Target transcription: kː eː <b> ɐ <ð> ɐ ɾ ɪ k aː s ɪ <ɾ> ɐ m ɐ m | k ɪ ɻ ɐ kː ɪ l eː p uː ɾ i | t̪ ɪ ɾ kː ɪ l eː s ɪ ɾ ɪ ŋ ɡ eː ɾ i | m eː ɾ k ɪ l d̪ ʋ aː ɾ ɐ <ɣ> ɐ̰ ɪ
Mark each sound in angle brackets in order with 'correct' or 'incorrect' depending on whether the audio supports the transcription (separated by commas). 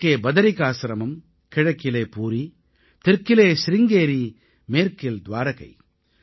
correct, correct, correct, correct